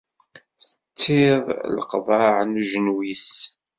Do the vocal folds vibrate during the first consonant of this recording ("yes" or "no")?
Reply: no